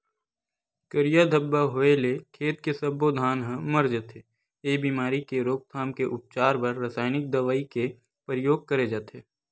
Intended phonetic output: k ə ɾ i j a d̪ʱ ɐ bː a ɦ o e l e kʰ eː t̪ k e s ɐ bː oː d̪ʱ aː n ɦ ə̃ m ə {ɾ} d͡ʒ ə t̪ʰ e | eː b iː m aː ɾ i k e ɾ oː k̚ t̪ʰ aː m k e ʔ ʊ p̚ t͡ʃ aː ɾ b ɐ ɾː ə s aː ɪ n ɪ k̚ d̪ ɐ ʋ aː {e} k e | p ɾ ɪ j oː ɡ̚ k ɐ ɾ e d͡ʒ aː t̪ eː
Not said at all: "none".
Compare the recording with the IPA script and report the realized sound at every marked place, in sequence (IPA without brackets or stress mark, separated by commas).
ɾ, i